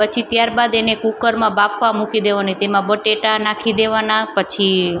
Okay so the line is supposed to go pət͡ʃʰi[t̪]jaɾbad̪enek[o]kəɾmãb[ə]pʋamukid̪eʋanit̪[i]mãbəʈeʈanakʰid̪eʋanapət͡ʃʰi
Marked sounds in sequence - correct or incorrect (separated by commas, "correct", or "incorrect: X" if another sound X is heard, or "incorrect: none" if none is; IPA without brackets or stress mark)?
correct, incorrect: u, incorrect: a, incorrect: e